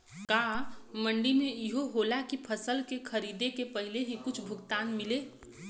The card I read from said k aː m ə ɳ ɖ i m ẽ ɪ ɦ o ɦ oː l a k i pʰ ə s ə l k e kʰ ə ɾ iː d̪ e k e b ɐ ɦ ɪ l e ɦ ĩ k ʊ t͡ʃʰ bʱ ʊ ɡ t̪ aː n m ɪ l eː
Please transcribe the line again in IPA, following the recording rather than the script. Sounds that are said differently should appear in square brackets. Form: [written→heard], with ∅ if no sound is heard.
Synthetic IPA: k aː m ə ɳ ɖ i m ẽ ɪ ɦ o ɦ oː l a k i pʰ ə s ə l k e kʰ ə ɾ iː d̪ e k e [b→p] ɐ ɦ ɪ l e ɦ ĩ k ʊ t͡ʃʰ bʱ ʊ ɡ t̪ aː n m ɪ l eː